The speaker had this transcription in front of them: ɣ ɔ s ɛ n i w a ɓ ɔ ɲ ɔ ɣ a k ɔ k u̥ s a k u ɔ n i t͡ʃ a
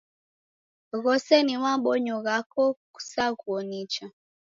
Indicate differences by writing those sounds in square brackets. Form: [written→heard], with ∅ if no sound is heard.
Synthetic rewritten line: ɣ ɔ s ɛ n i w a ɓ ɔ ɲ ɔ ɣ a k ɔ k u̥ s a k u ɔ n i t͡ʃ a